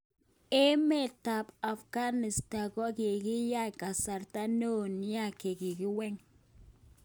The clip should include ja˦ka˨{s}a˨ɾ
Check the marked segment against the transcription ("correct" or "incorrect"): correct